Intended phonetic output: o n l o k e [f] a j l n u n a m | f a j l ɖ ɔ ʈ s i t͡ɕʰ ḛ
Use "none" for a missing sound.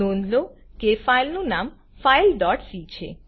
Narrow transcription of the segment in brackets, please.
f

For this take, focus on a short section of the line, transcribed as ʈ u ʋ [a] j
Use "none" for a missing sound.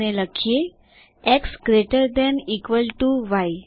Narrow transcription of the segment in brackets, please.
a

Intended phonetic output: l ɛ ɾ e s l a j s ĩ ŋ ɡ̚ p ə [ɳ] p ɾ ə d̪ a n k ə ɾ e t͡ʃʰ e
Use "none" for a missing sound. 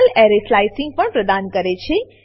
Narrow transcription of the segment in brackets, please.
ɳ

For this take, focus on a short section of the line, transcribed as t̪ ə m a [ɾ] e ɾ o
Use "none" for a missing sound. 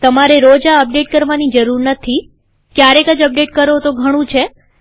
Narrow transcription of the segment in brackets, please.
ɾ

